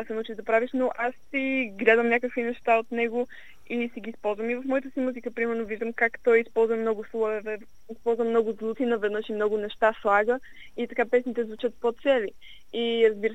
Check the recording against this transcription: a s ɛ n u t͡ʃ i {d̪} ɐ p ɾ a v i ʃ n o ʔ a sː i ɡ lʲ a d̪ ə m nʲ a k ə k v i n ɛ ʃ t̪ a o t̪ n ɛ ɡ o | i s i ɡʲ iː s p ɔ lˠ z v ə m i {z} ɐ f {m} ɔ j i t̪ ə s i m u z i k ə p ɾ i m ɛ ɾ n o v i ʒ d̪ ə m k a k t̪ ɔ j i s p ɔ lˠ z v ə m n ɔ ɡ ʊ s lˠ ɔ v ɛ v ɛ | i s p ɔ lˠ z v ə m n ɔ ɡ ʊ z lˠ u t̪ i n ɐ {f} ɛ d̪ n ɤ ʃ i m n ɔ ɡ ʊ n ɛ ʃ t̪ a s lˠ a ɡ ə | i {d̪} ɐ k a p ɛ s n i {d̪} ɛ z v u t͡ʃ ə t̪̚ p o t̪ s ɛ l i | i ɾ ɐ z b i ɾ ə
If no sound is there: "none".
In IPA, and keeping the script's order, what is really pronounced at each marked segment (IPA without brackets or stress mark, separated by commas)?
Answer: d̪, v, m, v, t̪, t̪